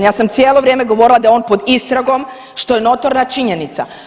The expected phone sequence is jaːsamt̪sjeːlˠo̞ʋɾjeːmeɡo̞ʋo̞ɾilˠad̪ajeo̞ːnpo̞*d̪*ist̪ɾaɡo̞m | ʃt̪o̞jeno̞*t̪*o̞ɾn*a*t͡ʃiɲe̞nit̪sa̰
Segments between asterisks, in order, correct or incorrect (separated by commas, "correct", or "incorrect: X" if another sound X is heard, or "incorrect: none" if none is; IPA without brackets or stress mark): correct, correct, correct